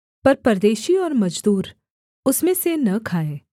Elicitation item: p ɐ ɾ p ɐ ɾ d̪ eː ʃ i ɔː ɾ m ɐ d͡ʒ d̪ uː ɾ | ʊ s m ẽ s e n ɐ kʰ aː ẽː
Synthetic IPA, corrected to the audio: p ɐ ɾ p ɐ ɾ d̪ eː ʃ i ɔː ɾ m ɐ d͡ʒ d̪ uː ɾ | ʊ s m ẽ s e n ɐ kʰ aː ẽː